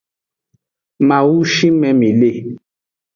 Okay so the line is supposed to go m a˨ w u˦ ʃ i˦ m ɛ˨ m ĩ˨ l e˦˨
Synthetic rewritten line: m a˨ w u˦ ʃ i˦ m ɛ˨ m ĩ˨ l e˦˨